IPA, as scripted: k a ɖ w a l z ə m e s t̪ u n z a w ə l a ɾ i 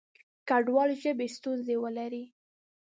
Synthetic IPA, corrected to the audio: k a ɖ w ɑ l ʒ ə b e s t̪ u n z e w ə l a ɾ i